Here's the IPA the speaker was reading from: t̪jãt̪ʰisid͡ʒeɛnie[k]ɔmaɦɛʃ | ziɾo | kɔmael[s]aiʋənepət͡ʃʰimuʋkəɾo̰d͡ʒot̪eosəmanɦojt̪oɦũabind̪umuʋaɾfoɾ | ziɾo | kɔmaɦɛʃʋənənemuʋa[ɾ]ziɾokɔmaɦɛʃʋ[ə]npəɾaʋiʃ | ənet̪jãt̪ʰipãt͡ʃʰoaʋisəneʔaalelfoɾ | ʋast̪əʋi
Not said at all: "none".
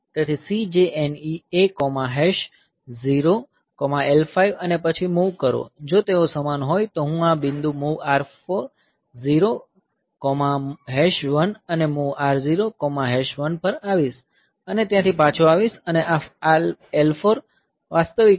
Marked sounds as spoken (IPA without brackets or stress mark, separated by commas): k, f, ɾ, ə